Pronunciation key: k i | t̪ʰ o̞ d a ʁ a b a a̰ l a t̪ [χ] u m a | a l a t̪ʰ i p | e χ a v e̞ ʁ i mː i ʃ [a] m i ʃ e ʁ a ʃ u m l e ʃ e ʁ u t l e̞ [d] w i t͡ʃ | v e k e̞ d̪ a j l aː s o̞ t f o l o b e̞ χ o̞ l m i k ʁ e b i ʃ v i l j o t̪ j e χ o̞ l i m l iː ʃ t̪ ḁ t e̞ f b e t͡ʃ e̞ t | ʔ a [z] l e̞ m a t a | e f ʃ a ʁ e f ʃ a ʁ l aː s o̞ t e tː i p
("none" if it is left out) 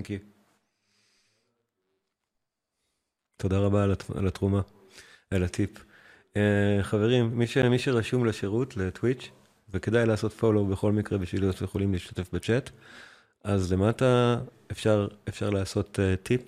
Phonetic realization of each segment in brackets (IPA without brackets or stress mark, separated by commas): ʁ, e, t, z